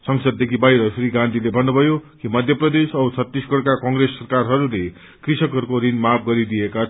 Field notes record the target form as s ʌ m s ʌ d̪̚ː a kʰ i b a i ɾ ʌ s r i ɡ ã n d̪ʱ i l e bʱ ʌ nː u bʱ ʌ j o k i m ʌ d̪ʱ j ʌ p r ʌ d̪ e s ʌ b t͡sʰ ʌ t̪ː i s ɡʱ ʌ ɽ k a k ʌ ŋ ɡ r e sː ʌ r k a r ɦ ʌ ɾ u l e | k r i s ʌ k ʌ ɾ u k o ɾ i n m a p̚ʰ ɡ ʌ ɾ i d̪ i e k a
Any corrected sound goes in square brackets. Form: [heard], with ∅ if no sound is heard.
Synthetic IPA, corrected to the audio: s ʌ [ŋ] s ʌ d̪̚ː [e] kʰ i b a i ɾ ʌ s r i ɡ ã n d̪ʱ i l e bʱ ʌ nː u bʱ ʌ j o k i m ʌ d̪ʱ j ʌ p r ʌ d̪ e s ʌ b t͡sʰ ʌ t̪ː i s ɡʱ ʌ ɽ k a k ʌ ŋ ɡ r e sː ʌ r k a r ɦ ʌ ɾ u l e | k r i s ʌ k ʌ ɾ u k o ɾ i n m a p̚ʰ ɡ ʌ ɾ i d̪ i e k a